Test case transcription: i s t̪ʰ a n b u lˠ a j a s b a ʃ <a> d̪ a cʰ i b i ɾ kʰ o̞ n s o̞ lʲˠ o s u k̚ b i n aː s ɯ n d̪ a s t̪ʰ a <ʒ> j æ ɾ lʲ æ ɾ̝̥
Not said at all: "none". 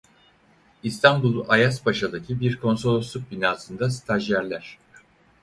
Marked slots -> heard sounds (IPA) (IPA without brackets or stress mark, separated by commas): a, ʒ